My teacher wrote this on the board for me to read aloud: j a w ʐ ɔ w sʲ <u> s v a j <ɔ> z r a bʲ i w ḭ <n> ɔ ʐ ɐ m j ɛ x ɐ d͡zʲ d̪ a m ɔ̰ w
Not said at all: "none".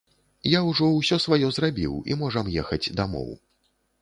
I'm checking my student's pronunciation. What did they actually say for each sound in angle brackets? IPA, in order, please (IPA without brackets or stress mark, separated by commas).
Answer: ɔ, ɔ, m